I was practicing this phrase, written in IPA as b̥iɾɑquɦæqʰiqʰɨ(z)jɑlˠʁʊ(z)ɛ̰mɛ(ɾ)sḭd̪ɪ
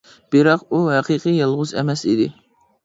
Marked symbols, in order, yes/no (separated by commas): no, yes, no